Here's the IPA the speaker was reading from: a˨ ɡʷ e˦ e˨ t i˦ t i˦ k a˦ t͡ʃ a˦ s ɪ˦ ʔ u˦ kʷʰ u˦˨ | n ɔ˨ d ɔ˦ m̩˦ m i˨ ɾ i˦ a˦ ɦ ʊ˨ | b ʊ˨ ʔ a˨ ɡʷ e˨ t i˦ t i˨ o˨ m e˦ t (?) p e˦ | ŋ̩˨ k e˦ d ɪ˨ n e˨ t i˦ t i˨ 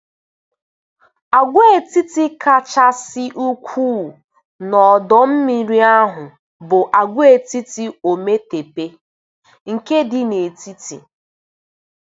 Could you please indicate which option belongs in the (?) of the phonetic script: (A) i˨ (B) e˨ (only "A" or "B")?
B